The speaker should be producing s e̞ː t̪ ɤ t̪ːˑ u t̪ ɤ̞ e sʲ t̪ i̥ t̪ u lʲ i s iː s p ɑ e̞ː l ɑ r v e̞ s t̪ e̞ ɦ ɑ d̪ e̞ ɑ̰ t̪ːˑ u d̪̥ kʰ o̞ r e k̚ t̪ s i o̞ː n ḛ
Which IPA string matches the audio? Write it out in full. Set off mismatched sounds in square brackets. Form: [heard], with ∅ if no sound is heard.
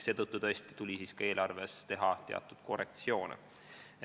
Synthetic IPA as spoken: s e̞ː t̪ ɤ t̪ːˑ u t̪ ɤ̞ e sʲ t̪ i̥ t̪ u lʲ i s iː s [k] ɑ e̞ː l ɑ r v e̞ s t̪ e̞ ɦ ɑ [t̪] e̞ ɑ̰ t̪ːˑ u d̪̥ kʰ o̞ r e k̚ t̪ s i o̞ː n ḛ